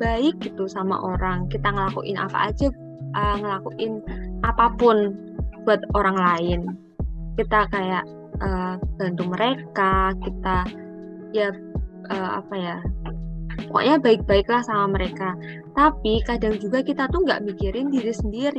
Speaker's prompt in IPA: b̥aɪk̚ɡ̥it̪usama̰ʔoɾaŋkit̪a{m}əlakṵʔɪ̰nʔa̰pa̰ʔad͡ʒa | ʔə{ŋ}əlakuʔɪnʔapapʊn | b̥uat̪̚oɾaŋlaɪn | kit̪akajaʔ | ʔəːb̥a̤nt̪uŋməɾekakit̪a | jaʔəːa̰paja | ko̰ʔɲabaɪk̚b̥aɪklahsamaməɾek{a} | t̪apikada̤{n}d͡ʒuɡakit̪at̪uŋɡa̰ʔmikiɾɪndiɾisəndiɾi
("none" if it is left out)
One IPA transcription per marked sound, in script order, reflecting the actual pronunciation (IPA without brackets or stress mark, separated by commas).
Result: ŋ, ŋ, a, ŋ